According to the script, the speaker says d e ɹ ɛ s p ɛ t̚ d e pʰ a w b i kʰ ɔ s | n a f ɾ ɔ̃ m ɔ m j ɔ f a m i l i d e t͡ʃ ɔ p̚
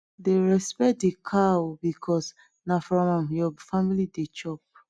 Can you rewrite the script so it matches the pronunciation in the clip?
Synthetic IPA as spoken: d e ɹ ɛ s p ɛ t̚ d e kʰ a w b i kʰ ɔ s | n a f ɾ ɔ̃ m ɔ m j ɔ f a m i l i d e t͡ʃ ɔ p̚